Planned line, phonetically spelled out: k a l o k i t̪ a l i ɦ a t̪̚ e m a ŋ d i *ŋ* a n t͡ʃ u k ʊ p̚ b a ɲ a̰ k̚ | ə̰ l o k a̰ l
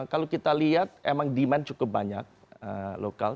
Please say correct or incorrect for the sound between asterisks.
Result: incorrect